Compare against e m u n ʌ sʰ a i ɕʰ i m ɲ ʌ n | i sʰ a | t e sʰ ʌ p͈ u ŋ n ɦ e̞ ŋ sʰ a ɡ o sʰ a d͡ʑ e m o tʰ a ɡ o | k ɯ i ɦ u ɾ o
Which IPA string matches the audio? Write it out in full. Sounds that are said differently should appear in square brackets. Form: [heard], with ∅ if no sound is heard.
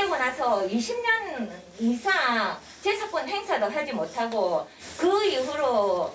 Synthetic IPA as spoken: e m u n [a] sʰ [ʌ] i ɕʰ i m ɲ ʌ n | i sʰ a | [t͡ɕ] e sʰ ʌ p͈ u [∅] n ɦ e̞ ŋ sʰ a [d] o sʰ a d͡ʑ [i] m o tʰ a ɡ o | k ɯ i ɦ u ɾ o